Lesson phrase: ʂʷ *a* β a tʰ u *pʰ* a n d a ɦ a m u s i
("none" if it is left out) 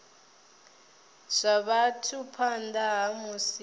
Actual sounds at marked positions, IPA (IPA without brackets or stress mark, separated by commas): a, pʰ